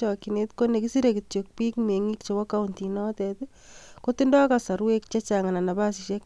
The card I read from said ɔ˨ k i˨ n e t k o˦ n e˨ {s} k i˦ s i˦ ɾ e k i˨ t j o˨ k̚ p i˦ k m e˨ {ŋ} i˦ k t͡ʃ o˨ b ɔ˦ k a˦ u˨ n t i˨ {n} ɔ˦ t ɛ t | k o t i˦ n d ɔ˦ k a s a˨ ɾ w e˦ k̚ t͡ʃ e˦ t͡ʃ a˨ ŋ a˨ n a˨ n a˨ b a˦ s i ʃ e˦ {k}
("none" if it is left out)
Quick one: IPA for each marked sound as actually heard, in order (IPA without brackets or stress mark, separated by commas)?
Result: none, ŋ, n, k